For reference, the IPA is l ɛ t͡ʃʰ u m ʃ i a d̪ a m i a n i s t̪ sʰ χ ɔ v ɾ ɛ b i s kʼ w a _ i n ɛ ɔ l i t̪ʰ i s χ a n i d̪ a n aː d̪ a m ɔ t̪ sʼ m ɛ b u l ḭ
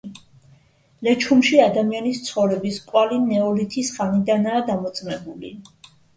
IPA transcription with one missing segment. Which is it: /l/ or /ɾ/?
l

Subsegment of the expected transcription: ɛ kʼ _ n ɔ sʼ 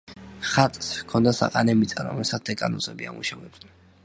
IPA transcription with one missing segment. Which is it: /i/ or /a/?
a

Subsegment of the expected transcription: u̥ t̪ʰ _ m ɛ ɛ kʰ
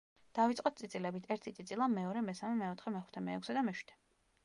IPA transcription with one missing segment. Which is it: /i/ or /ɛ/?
ɛ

